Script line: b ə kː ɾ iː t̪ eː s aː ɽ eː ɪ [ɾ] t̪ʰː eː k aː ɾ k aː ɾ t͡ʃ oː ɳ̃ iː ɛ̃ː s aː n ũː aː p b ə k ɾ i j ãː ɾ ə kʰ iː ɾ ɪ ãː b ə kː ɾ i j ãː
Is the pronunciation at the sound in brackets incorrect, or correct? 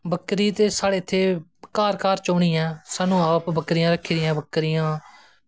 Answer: incorrect